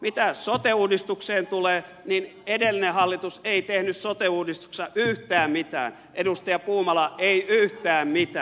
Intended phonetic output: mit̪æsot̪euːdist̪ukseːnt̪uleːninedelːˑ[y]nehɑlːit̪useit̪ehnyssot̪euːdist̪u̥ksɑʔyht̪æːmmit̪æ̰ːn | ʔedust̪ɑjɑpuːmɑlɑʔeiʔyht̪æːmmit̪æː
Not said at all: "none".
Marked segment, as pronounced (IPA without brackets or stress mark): i